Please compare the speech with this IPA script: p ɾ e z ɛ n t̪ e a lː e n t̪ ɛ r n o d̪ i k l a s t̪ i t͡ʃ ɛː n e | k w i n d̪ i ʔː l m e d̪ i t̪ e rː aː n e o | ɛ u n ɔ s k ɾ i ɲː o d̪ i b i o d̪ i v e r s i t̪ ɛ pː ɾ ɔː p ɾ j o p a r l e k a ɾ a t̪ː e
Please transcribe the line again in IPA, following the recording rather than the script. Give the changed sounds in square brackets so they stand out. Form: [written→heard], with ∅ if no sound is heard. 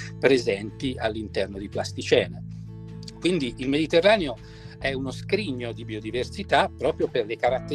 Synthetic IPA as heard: p ɾ e z ɛ n t̪ [e→i] a lː [e→i] n t̪ ɛ r n o d̪ i [k→p] l a s t̪ i t͡ʃ ɛː n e | k w i n d̪ i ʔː l m e d̪ i t̪ e rː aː n e o | ɛ u n [ɔ→o] s k ɾ i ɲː o d̪ i b i o d̪ i v e r s i t̪ [ɛ→a] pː ɾ ɔː p ɾ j o p [a→e] r l e k a ɾ a t̪ː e